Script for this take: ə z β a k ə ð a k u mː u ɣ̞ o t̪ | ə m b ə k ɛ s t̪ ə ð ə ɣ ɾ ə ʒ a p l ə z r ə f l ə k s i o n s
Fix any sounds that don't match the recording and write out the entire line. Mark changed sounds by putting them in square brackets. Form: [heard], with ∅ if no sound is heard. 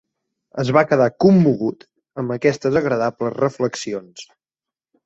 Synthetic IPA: ə z β a k ə ð a k u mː u ɣ̞ [u] t̪ | ə m b ə k ɛ s t̪ ə [z] ə ɣ ɾ ə [ð] a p l ə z r ə f l ə k s i o n s